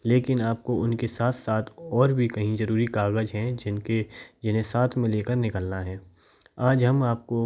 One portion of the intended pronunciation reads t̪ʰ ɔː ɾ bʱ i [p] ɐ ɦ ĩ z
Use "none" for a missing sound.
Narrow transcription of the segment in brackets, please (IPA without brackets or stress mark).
k